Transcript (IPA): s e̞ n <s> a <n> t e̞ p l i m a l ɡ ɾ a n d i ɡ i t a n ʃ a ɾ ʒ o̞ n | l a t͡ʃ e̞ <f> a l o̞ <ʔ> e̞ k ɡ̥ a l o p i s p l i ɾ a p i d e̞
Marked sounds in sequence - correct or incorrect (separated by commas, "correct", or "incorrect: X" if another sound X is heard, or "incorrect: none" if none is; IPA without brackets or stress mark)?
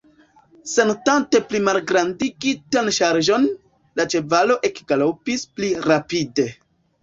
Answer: incorrect: t, correct, incorrect: v, correct